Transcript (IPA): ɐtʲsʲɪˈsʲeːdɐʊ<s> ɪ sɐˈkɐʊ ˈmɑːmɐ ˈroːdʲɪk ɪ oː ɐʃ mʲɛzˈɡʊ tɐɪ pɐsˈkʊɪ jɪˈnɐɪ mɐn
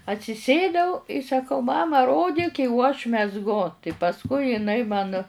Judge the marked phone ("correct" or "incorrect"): incorrect